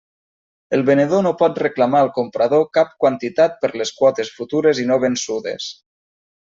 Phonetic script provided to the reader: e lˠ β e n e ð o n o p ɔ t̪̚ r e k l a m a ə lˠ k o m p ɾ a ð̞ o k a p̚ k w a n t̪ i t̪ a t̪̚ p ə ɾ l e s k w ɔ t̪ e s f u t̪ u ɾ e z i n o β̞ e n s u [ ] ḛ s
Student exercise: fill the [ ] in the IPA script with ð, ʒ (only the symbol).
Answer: ð